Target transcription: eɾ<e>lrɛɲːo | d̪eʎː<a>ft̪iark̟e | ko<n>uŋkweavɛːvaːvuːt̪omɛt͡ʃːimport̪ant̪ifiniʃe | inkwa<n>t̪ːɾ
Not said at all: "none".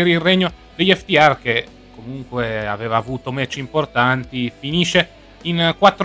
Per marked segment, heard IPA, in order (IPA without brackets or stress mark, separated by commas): i, ɛ, m, none